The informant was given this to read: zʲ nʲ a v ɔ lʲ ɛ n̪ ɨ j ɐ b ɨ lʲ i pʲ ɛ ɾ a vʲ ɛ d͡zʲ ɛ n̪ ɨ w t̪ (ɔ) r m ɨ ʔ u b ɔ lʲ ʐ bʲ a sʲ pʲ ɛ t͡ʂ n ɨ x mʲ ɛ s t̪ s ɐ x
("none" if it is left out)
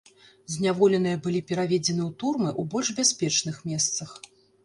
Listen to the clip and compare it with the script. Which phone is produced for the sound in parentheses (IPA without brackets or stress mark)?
u